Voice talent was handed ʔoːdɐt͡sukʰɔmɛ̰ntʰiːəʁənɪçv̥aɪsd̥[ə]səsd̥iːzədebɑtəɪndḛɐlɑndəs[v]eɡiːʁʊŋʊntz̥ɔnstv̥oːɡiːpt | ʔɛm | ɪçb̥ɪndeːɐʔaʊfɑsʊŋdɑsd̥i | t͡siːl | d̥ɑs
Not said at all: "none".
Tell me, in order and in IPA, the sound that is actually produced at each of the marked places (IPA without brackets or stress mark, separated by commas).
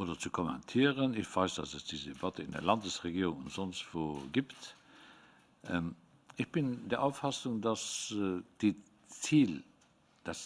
ɑ, ʁ